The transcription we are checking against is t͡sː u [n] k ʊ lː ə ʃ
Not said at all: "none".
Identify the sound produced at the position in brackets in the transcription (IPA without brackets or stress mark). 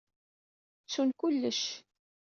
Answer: n